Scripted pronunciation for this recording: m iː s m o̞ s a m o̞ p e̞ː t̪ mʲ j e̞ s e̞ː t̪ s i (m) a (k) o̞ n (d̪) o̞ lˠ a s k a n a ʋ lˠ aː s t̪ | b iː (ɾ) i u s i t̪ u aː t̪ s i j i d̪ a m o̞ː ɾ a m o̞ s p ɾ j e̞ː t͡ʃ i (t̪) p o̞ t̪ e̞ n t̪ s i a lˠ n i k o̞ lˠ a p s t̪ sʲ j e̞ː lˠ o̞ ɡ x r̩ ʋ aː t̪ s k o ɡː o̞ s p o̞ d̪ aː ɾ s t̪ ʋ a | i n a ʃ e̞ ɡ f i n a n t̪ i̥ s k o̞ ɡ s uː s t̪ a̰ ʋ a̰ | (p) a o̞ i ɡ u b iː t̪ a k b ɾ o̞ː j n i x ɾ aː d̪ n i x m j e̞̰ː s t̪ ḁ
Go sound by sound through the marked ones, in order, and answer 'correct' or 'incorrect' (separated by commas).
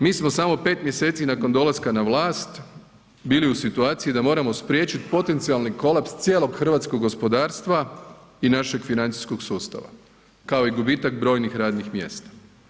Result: incorrect, correct, correct, incorrect, correct, incorrect